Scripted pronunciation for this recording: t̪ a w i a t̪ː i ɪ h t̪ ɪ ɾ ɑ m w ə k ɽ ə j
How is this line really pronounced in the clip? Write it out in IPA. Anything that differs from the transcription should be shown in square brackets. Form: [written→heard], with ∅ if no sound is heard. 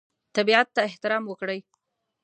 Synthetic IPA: t̪ a [w→b] i a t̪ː [i→a] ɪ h t̪ ɪ ɾ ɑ m w ə k ɽ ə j